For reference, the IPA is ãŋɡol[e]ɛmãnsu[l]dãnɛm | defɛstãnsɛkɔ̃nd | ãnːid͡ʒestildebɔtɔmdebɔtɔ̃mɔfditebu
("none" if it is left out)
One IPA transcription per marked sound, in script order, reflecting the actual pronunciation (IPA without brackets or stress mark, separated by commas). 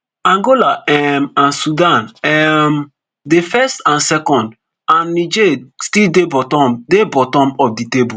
a, none